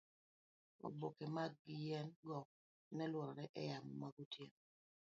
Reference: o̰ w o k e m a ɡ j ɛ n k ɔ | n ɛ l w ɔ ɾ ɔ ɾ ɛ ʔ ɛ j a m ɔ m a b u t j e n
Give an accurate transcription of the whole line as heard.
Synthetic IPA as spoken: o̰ b o k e m a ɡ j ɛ n ɡ ɔ | n ɛ l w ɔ ɾ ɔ ɾ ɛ ʔ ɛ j a m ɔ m a ɡ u t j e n